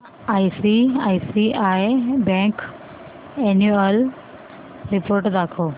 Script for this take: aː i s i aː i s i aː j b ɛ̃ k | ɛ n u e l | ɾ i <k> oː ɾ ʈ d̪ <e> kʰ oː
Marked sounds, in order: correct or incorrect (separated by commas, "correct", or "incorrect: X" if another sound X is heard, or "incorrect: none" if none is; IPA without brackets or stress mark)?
incorrect: p, incorrect: a